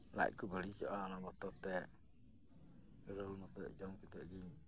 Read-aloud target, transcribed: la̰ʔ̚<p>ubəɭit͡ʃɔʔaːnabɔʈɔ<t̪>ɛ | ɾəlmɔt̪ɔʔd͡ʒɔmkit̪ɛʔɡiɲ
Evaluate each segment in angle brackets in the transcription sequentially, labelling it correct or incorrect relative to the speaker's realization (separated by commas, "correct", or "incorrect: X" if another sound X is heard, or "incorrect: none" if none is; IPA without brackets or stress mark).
incorrect: k, correct